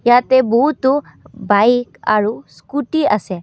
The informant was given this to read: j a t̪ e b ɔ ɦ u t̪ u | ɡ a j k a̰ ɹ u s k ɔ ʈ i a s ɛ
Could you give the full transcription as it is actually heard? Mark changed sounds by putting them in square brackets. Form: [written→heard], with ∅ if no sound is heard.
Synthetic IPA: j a t̪ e b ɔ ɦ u t̪ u | [ɡ→b] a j k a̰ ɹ u s k [ɔ→u] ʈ i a s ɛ